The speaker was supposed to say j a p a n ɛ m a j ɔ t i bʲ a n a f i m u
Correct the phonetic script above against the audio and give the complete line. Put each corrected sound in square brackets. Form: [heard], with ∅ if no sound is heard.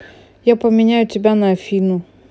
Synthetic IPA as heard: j a p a [m] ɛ [ɲ] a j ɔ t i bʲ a n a f i [n] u